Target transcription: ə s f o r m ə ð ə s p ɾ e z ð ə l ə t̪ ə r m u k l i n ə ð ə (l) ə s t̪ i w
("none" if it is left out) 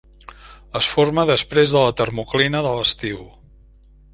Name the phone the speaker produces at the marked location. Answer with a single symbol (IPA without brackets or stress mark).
l